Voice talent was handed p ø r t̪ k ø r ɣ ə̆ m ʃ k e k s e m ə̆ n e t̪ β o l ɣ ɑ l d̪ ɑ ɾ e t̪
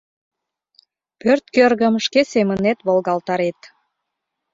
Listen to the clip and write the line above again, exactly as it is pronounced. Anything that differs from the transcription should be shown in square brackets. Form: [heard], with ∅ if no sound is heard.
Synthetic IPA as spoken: p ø r t̪ k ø r ɣ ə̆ m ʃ k e [∅] s e m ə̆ n e t̪ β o l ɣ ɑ l [t̪] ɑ ɾ e t̪